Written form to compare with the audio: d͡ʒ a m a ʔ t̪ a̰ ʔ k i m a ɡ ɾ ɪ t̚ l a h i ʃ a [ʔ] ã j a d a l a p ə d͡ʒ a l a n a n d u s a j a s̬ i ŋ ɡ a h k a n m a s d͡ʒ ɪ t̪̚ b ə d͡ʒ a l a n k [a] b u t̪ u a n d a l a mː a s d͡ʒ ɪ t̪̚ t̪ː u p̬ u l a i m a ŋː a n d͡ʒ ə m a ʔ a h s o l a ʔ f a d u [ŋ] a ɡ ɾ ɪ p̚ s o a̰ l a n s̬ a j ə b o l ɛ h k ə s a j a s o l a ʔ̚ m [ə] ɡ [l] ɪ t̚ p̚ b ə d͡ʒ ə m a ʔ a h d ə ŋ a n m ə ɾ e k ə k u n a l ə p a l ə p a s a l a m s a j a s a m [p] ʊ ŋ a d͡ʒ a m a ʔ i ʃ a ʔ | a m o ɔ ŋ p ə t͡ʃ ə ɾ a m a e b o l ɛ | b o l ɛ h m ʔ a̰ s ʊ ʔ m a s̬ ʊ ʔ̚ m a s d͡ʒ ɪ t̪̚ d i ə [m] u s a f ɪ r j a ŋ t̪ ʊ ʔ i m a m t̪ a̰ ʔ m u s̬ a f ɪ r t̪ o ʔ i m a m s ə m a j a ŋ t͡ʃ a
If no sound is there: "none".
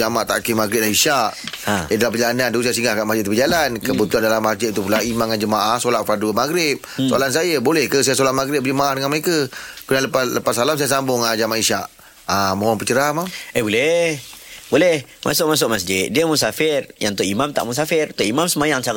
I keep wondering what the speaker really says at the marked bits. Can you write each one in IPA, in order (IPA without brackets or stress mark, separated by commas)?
ʔ, ə, m, a, ɾ, b, m